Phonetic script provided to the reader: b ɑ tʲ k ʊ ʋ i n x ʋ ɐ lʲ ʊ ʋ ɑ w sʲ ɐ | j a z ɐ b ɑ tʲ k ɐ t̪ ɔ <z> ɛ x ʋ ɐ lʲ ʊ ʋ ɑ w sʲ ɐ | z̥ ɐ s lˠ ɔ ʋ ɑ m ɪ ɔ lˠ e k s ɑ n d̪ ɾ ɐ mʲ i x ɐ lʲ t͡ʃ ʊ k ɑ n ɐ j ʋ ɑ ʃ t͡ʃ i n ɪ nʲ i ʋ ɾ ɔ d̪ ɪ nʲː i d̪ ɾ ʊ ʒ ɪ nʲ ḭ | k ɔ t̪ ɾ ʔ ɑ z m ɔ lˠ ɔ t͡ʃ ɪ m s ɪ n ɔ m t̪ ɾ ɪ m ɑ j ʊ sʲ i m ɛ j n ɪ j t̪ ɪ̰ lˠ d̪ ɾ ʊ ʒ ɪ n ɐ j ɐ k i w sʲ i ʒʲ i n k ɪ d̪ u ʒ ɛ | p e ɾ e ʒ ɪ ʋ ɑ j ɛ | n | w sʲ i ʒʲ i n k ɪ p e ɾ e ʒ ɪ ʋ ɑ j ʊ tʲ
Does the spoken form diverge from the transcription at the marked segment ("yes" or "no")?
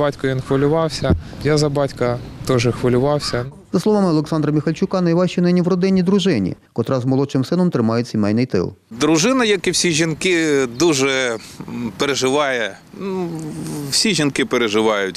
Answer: yes